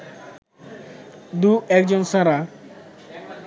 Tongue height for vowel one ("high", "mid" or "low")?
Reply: high